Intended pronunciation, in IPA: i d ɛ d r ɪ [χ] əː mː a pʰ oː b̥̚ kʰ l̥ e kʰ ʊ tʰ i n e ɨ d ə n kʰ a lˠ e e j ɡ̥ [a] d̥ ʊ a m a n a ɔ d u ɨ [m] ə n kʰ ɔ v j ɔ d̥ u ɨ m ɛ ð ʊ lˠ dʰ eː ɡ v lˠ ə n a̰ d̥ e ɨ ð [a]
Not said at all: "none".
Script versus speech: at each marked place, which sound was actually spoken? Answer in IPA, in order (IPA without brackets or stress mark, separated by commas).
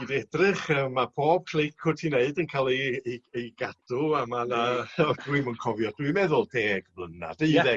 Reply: χ, a, m, ɛ